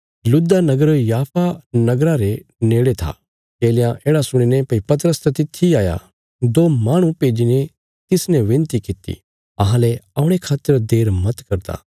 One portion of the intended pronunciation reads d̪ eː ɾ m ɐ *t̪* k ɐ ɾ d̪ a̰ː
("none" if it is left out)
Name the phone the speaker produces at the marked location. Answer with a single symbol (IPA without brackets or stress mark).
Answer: t̪